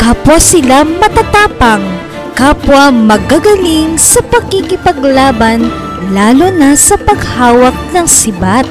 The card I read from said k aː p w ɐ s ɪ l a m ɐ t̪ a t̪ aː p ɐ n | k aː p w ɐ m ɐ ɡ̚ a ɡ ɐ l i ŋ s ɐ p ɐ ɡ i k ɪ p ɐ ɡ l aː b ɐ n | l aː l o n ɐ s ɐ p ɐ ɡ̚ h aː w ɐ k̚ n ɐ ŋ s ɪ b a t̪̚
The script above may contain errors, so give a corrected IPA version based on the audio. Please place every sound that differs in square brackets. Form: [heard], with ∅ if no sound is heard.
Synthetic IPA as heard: k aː p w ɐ s ɪ l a m ɐ t̪ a t̪ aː p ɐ [ŋ] | k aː p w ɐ m ɐ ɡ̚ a ɡ ɐ l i ŋ s ɐ p ɐ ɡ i k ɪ p ɐ ɡ l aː b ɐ n | l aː l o n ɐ s ɐ p ɐ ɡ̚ h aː w ɐ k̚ n ɐ ŋ s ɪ b a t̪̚